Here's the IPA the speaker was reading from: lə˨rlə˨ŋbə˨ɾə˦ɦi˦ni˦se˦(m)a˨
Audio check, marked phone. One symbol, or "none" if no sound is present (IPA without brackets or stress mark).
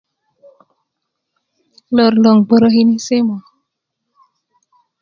m